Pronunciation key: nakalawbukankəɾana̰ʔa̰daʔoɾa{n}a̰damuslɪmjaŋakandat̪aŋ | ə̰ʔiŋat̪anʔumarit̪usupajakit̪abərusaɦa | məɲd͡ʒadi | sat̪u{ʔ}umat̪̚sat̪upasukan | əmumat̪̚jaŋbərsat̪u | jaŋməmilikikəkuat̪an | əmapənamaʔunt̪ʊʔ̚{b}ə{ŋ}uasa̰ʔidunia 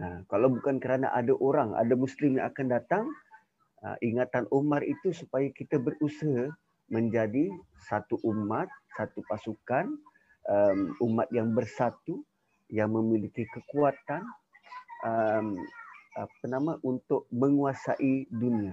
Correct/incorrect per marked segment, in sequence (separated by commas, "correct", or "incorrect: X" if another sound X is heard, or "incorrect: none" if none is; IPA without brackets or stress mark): incorrect: ŋ, correct, incorrect: m, correct